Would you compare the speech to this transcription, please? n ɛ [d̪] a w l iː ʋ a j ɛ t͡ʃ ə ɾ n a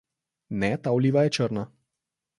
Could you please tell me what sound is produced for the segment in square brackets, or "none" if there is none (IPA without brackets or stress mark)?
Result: t̪